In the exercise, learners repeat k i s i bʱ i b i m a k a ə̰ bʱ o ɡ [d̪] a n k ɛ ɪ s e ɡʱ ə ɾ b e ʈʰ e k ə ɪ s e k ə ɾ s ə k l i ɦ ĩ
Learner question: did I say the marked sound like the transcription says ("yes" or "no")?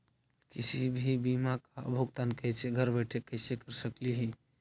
no